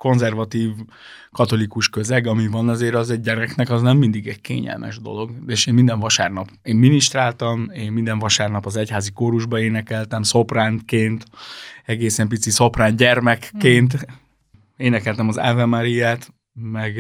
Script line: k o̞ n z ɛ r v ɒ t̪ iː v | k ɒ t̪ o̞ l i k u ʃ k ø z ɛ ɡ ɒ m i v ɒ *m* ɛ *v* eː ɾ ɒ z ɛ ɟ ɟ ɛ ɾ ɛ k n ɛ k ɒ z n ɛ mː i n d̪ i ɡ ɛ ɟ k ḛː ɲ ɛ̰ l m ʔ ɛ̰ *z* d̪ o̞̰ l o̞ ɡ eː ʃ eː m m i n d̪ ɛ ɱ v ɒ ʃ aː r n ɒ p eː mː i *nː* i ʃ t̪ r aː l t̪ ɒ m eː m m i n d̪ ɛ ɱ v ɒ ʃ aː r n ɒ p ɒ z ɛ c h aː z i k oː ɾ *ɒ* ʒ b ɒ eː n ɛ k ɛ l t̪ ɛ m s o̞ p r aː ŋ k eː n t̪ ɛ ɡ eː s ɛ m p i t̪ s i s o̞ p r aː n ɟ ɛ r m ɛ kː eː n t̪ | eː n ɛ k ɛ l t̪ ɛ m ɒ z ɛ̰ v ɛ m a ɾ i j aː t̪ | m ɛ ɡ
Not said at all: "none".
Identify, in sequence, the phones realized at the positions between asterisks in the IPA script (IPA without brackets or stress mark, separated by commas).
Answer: n, z, ʒ, n, u